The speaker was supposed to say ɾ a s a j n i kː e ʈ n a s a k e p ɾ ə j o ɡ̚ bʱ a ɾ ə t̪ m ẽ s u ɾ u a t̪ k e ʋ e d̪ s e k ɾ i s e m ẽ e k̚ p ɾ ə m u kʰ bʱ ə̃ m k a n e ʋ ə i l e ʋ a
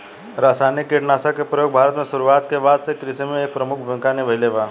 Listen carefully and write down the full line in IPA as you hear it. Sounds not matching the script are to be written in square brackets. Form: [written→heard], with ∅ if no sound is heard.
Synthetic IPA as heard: ɾ a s a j n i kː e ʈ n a s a k e p ɾ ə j o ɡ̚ bʱ a ɾ ə t̪ m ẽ s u ɾ u a t̪ k e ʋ [e→a] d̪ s e k ɾ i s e m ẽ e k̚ p ɾ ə m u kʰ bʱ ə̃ [m→ŋ] k a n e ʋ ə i l e ʋ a